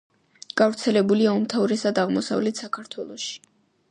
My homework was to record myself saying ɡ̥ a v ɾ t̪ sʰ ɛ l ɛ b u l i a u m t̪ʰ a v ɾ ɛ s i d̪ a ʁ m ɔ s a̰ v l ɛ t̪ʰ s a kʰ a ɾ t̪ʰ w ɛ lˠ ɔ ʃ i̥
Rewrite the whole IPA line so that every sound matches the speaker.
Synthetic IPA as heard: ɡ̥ a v ɾ t̪ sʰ ɛ l ɛ b u l i a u m t̪ʰ a v ɾ ɛ s a d̪ a ʁ m ɔ s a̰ v l ɛ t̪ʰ s a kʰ a ɾ t̪ʰ w ɛ lˠ ɔ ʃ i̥